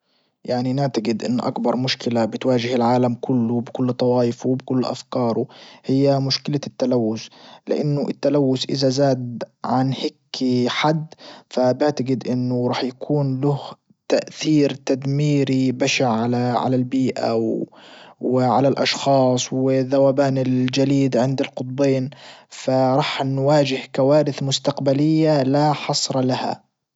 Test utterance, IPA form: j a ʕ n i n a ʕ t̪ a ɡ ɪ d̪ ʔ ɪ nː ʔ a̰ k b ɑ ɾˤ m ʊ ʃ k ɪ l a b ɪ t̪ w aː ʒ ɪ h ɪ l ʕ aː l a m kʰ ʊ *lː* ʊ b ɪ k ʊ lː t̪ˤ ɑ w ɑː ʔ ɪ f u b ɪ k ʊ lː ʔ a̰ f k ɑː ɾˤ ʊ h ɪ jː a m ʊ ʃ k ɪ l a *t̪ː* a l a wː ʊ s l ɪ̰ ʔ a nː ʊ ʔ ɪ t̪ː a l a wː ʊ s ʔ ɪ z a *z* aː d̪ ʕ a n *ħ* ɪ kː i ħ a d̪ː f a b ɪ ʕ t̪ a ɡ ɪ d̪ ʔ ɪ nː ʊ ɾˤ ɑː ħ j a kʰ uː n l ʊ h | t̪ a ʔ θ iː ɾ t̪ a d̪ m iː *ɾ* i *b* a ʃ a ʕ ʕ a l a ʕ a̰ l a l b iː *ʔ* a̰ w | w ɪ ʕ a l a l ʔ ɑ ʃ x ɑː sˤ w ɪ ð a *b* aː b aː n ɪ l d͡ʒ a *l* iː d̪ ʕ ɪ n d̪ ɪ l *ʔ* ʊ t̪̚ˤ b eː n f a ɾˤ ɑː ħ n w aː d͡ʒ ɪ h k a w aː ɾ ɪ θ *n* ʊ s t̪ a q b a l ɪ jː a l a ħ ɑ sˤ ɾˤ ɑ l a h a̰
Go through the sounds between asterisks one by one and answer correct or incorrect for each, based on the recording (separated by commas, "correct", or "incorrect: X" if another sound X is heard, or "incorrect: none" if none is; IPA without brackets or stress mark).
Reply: correct, correct, correct, incorrect: h, correct, correct, correct, incorrect: w, correct, incorrect: q, incorrect: m